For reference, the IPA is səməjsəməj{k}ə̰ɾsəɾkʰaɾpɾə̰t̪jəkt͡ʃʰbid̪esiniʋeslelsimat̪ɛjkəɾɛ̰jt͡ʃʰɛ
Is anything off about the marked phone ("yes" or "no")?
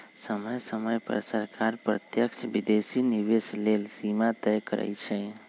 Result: yes